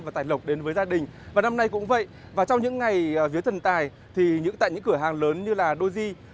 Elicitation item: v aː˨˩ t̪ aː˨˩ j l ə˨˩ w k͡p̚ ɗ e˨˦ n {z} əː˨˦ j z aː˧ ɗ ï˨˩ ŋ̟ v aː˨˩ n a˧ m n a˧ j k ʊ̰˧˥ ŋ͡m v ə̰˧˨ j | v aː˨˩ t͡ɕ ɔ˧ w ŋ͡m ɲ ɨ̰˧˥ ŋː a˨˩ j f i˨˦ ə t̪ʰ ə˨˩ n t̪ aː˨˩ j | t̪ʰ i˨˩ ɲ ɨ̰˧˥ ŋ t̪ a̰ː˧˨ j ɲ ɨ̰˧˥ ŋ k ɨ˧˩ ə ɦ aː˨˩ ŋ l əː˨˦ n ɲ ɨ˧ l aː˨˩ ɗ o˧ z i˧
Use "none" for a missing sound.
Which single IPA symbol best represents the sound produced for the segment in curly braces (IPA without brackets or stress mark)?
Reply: v